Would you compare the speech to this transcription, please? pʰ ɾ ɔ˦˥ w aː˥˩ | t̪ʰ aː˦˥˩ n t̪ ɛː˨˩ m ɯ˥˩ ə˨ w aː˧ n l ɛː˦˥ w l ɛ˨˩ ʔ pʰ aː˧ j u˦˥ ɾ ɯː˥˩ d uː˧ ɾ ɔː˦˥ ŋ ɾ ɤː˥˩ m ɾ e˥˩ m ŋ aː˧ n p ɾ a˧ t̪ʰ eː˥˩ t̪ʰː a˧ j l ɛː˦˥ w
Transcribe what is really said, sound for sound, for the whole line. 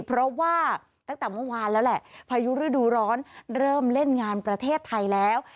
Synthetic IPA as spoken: pʰ ɾ ɔ˦˥ w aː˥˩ | t̪ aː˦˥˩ ŋ t̪ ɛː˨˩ m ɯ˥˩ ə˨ w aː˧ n l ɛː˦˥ w l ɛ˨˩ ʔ pʰ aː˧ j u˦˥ ɾ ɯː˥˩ d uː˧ ɾ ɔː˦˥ n ɾ ɤː˥˩ m l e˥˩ n ŋ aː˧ n p ɾ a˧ t̪ʰ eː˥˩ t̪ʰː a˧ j l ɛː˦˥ w

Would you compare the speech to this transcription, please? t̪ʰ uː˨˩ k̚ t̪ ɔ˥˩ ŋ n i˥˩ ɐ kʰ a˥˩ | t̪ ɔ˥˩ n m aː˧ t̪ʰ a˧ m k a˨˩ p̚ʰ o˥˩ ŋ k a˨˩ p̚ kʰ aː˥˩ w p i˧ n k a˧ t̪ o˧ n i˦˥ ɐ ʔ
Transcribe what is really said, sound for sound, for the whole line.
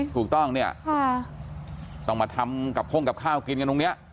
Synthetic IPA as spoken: t̪ʰ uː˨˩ k̚ t̪ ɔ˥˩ ŋ n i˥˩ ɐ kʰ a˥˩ | t̪ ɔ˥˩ ŋ m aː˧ t̪ʰ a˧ m k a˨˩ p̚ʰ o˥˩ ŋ k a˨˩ p̚ kʰ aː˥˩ w k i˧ n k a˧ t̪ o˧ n i˦˥ ɐ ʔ

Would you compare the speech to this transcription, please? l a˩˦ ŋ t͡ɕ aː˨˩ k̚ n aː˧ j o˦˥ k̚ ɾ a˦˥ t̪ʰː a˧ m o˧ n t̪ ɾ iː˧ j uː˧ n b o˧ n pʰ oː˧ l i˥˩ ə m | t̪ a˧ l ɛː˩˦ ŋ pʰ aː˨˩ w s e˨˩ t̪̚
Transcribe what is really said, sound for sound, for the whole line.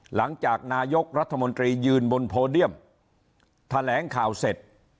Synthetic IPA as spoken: l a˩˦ ŋ t͡ɕ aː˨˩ k̚ n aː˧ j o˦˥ k̚ ɾ a˦˥ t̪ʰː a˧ m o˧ n t̪ ɾ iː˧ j ɯː˧ n b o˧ n pʰ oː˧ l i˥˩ ə m | t̪ʰ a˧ l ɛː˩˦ ŋ kʰ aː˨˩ w s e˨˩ t̪̚

